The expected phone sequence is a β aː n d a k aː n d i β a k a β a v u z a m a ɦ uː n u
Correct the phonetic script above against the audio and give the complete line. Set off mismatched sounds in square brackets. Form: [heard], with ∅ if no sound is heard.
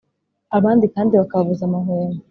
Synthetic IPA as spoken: a β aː n d [i] k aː n d i β a k a β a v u z a m a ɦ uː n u